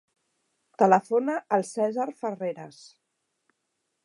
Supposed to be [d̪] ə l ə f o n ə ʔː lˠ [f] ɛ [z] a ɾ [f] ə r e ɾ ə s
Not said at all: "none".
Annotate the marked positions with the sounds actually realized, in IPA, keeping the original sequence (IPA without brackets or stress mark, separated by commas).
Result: t̪, s, z, f